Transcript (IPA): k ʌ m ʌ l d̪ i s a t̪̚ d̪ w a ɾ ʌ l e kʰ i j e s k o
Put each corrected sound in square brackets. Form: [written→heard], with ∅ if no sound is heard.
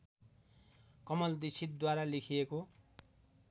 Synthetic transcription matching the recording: k ʌ m ʌ l d̪ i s [a→i] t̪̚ d̪ w a ɾ [ʌ→a] l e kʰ i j e [s→∅] k o

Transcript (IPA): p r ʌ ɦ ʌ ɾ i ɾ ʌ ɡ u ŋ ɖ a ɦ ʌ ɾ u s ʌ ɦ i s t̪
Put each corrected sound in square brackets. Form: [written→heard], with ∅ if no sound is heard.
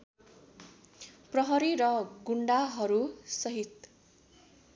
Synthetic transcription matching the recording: p r ʌ ɦ ʌ ɾ i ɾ ʌ ɡ u [ŋ→ɳ] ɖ a ɦ ʌ ɾ u s ʌ ɦ i [s→∅] t̪

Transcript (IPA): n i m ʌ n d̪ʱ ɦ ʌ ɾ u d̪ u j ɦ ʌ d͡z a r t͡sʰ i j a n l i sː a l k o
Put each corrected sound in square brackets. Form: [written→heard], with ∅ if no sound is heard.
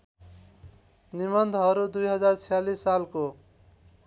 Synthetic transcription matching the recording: n i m ʌ n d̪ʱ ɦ ʌ ɾ u d̪ u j ɦ ʌ d͡z a r t͡sʰ i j a [n→∅] l i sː a l k o

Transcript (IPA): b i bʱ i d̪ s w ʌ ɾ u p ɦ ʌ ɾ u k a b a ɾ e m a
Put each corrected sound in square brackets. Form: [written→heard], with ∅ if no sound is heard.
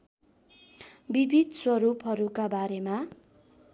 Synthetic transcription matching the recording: b i bʱ i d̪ s w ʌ ɾ u p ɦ ʌ ɾ u k a b a ɾ e m a

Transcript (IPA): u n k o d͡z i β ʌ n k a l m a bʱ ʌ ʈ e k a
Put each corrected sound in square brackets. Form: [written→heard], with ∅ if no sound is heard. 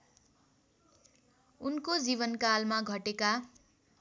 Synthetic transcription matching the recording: u n k o d͡z i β ʌ n k a l m a [bʱ→ɡʱ] ʌ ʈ e k a

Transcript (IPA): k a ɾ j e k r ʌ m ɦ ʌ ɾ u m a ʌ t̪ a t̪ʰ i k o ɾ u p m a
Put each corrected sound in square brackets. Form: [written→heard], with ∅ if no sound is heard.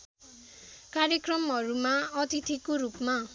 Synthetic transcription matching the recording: k a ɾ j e k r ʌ m ɦ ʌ ɾ u m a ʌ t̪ [a→i] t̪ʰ i k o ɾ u p m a

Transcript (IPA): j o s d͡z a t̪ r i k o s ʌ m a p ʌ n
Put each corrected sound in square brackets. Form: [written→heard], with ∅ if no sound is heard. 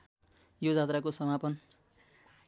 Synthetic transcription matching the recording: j o [s→∅] d͡z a t̪ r [i→a] k o s ʌ m a p ʌ n

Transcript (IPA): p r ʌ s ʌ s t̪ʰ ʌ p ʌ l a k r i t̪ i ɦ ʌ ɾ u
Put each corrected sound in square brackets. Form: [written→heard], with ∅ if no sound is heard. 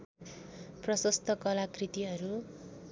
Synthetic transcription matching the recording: p r ʌ s ʌ s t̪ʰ ʌ [p→k] ʌ l a k r i t̪ i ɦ ʌ ɾ u

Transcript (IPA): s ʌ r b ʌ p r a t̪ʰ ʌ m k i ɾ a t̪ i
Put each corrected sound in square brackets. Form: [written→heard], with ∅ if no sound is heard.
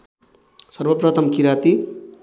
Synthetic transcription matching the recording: s ʌ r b ʌ p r [a→ʌ] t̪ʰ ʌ m k i ɾ a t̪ i

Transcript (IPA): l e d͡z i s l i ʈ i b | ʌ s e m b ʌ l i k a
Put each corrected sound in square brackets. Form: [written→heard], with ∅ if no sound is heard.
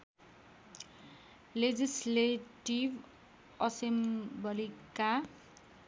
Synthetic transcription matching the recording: l e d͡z i s l [i→e] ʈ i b | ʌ s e m b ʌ l i k a

